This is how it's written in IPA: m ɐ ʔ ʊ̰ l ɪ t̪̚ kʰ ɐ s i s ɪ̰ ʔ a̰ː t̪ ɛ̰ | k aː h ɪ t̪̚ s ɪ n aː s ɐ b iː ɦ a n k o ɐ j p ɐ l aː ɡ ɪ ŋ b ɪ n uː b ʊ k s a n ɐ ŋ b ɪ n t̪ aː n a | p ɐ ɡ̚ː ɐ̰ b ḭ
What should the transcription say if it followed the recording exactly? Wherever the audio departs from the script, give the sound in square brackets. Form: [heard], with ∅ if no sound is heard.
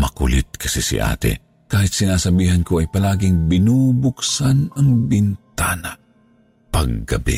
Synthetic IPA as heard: m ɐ [k] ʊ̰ l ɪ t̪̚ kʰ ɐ s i s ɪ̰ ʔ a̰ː t̪ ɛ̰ | k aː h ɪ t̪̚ s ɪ n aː s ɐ b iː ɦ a n k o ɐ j p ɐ l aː ɡ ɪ ŋ b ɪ n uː b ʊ k s a n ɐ ŋ b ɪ n t̪ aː n a | p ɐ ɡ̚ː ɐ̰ b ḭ